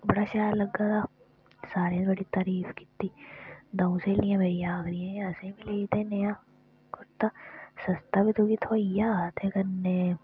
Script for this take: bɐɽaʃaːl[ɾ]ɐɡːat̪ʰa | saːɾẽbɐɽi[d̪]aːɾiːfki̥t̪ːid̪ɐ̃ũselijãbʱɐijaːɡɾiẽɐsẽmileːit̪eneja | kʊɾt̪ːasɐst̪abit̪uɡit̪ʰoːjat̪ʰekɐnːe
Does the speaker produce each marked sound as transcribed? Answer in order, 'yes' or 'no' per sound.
no, no

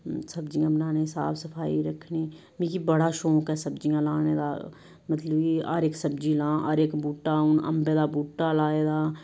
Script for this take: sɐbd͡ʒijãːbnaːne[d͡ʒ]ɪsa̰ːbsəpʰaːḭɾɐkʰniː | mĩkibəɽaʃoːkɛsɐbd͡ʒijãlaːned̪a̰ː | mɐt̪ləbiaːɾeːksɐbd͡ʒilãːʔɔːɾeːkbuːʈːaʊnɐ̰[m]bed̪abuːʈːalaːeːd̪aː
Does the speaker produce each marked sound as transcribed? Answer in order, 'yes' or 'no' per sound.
no, yes

